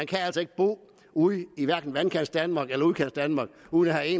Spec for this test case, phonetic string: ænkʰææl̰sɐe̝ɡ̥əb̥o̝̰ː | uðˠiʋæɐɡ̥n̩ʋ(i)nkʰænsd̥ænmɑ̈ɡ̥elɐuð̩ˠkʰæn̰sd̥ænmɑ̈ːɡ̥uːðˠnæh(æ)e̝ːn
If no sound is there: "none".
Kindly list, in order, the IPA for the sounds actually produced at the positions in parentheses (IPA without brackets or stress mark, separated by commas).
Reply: æ, æ